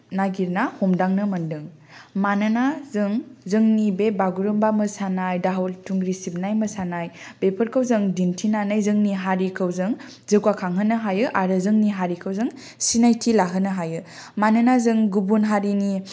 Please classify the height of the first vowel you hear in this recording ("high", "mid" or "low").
low